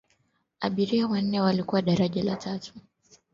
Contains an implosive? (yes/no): yes